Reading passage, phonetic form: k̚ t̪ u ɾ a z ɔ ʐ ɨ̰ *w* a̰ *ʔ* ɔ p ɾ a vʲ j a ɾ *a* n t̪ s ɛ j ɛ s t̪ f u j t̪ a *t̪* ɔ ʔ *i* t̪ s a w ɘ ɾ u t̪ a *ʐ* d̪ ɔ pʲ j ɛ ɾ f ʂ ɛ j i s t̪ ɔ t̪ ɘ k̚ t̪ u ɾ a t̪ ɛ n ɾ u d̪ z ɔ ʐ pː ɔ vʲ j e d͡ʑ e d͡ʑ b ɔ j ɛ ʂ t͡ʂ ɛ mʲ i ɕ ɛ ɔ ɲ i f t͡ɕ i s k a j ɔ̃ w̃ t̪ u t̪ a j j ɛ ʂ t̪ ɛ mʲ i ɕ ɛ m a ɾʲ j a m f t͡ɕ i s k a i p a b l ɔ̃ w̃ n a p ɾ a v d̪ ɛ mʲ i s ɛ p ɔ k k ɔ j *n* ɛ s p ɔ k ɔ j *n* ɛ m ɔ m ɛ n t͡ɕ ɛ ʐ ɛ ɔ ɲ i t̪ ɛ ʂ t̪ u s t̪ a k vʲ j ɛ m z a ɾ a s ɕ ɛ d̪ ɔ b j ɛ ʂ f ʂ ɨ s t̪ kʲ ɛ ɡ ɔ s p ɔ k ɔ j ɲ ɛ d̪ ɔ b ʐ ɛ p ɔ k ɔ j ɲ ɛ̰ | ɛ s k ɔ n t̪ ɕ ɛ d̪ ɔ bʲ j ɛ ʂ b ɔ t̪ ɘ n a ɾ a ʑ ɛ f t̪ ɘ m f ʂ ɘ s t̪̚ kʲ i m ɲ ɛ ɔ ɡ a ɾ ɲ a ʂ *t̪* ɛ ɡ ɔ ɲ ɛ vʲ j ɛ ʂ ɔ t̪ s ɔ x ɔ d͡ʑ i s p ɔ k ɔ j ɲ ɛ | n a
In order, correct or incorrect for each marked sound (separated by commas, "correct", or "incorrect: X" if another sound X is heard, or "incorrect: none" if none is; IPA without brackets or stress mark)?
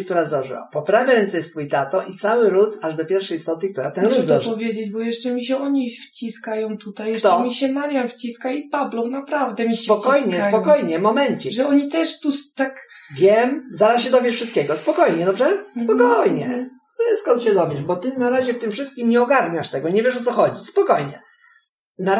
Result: correct, incorrect: p, incorrect: ɛ, correct, correct, correct, incorrect: ɲ, incorrect: ɲ, correct